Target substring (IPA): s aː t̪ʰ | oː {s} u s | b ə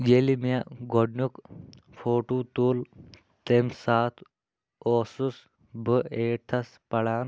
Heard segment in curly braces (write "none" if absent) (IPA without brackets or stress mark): s